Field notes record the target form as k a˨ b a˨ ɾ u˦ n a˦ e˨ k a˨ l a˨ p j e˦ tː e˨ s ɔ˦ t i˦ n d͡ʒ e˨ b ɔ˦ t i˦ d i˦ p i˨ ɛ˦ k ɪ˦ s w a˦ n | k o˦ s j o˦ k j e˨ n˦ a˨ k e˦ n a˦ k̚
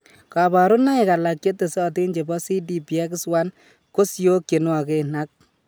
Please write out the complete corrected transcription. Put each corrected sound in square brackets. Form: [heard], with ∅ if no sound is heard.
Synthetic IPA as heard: k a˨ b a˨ ɾ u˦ n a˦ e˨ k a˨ l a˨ [k] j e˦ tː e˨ s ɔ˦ t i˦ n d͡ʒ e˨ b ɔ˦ [s] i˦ d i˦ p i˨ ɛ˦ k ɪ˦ s w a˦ n | k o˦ s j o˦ k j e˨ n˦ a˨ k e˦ n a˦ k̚